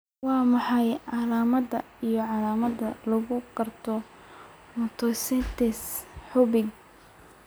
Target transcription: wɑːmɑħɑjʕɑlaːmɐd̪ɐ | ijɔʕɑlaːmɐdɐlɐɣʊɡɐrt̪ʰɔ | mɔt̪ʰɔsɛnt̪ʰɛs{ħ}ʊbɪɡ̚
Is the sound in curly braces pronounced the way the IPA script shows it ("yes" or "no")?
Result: yes